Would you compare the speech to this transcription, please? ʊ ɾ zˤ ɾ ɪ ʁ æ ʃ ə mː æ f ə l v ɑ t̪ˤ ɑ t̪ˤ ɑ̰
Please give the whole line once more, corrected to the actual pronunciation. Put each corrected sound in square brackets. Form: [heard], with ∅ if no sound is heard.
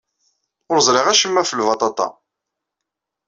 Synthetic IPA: ʊ ɾ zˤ ɾ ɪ ʁ æ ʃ ə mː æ f ə l v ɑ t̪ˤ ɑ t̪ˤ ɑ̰